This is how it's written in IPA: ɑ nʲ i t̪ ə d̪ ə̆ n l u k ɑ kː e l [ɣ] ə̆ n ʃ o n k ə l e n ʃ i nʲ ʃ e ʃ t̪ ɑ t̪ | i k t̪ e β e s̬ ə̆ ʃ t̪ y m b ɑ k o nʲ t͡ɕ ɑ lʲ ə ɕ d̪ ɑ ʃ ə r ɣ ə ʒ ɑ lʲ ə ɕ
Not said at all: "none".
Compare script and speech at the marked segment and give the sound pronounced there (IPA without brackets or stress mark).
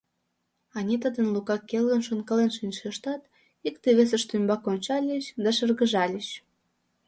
ɣ